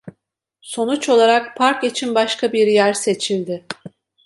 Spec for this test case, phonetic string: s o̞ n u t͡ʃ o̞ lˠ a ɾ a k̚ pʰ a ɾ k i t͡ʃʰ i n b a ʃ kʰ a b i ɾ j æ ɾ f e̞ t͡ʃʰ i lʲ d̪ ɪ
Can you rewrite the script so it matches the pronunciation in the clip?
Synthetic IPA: s o̞ n u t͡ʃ o̞ lˠ a ɾ a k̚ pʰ a ɾ k i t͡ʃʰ i n b a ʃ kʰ a b i ɾ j æ ɾ s e̞ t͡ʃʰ i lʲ d̪ ɪ